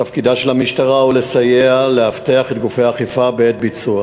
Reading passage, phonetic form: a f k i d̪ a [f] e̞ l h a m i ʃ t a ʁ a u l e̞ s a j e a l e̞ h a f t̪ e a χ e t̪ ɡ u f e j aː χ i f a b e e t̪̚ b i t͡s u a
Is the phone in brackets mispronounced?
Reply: yes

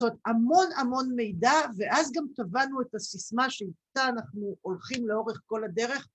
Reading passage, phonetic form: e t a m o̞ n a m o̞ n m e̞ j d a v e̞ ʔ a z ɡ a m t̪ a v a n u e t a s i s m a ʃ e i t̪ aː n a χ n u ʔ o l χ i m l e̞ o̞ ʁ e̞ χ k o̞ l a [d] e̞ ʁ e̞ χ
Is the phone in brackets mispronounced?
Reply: no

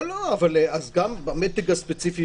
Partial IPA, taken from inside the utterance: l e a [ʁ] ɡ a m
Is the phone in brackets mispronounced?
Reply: yes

